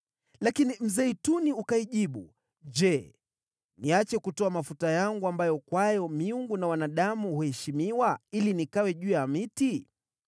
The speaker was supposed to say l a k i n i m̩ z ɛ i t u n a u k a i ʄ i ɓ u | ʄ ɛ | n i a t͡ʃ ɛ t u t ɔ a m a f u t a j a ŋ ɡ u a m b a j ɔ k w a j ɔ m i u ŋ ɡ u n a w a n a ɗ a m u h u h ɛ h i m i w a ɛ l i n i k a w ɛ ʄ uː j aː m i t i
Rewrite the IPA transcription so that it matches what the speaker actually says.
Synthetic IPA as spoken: l a k i n i m̩ z ɛ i t u n i u k a i ʄ i ɓ u | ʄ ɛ | n i a t͡ʃ ɛ k u t ɔ a m a f u t a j a ŋ ɡ u a m b a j ɔ k w a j ɔ m i u ŋ ɡ u n a w a n a ɗ a m u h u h ɛ ʃ i m i w a i l i n i k a w ɛ ʄ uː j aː m i t i

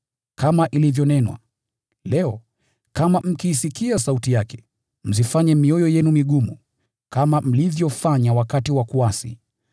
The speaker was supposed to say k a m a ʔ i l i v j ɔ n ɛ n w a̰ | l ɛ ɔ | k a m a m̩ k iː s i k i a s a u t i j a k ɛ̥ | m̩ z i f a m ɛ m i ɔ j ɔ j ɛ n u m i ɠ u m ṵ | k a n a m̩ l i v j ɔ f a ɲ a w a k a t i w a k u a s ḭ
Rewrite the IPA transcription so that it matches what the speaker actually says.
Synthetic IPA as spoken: k a m a ʔ i l i v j ɔ n ɛ n w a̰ | l ɛ ɔ | k a m a m̩ k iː s i k i a s a u t i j a k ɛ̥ | m̩ z i f a ɲ ɛ m i ɔ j ɔ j ɛ n u m i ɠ u m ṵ | k a m a m̩ l i v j ɔ f a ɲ a w a k a t i w a k u a s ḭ

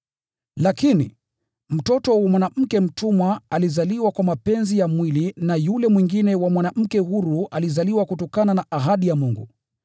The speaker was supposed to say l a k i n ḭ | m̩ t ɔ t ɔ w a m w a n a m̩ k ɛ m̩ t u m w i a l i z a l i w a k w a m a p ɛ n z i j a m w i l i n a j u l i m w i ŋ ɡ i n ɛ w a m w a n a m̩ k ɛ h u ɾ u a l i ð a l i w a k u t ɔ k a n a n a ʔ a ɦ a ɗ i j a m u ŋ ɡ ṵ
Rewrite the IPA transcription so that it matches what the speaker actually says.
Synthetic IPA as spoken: l a k i n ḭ | m̩ t ɔ t ɔ w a m w a n a m̩ k ɛ m̩ t u m w a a l i z a l i w a k w a m a p ɛ n z i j a m w i l i n a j u l ɛ m w i ŋ ɡ i n ɛ w a m w a n a m̩ k ɛ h u ɾ u a l i z a l i w a k u t ɔ k a n a n a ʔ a ɦ a ɗ i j a m u ŋ ɡ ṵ

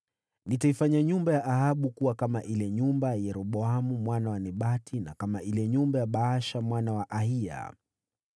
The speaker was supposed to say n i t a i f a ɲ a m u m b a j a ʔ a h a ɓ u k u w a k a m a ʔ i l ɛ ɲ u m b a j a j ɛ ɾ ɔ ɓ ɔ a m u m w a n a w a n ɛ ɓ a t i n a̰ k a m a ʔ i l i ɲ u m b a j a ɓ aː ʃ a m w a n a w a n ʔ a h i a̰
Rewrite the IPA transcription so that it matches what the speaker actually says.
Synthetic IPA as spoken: n i t a i f a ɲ a ɲ u m b a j a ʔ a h a ɓ u k u w a k a m a ʔ i l ɛ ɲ u m b a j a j ɛ ɾ ɔ ɓ ɔ a m u m w a n a w a n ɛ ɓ a t i n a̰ k a m a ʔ i l ɛ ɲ u m b a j a ɓ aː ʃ a m w a n a w a ʔ a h i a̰

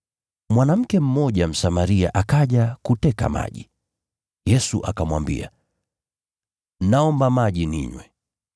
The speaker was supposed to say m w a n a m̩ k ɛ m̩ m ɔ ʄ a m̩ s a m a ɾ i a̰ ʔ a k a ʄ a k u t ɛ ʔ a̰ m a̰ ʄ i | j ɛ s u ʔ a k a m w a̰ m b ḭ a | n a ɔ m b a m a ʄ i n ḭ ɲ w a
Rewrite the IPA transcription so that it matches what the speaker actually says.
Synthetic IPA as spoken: m w a n a m̩ k ɛ m̩ m ɔ ʄ a m̩ s a m a ɾ i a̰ ʔ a k a ʄ a k u t ɛ k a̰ m a̰ ʄ i | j ɛ s u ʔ a k a m w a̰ m b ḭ a | n a ɔ m b a m a ʄ i n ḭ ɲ w ɛ

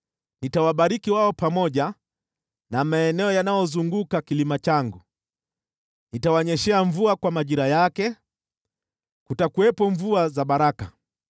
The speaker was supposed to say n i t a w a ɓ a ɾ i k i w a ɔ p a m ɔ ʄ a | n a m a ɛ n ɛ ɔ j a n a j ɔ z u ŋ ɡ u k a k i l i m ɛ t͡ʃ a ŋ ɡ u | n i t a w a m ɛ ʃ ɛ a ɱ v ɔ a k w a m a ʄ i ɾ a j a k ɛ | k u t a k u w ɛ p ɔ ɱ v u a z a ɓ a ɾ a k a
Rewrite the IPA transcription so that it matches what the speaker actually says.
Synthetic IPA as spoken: n i t a w a ɓ a ɾ i k i w a ɔ p a m ɔ ʄ a | n a m a ɛ n ɛ ɔ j a n a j ɔ z u ŋ ɡ u k a k i l i m a t͡ʃ a ŋ ɡ u | n i t a w a ɲ ɛ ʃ ɛ a ɱ v u a k w a m a ʄ i ɾ a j a k ɛ | k u t a k u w ɛ p ɔ ɱ v u a z a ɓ a ɾ a k a

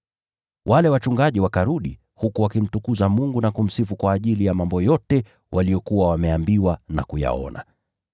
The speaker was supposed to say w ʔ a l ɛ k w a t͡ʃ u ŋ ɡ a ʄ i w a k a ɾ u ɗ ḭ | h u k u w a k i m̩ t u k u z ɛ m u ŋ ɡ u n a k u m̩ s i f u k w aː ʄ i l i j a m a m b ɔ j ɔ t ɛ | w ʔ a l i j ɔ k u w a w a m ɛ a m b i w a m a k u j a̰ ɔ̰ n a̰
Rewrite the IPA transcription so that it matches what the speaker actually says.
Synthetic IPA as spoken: w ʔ a l ɛ w a t͡ʃ u ŋ ɡ a ʄ i w a k a ɾ u ɗ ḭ | h u k u w a k i m̩ t u k u z a m u ŋ ɡ u n a k u m̩ s i f u k w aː ʄ i l i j a m a m b ɔ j ɔ t ɛ | w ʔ a l i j ɔ k u w a w a m ɛ a m b i w a n a k u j a̰ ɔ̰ n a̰

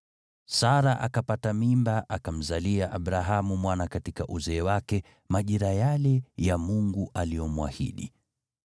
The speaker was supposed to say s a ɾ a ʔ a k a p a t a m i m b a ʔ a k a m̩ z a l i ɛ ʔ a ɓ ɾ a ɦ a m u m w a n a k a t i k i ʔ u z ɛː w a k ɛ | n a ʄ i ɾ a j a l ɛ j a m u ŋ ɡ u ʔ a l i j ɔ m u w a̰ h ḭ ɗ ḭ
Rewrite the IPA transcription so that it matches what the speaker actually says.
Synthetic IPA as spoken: s a ɾ a ʔ a k a p a t a m i m b a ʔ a k a m̩ z a l i a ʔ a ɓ ɾ a ɦ a m u m w a n a k a t i k a ʔ u z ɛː w a k ɛ | m a ʄ i ɾ a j a l ɛ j a m u ŋ ɡ u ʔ a l i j ɔ m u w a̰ h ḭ ɗ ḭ

